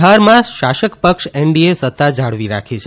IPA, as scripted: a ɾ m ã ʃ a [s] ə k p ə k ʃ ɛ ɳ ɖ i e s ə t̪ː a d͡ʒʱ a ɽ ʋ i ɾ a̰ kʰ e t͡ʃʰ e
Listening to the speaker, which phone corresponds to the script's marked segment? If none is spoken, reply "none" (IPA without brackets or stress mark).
ʃ